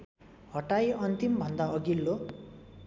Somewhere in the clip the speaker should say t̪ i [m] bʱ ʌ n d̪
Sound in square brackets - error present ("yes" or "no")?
no